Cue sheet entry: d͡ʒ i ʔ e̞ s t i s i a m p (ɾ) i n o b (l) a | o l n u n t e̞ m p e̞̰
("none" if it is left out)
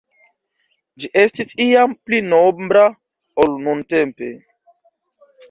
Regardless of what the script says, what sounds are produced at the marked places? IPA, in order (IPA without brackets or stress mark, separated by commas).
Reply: l, ɾ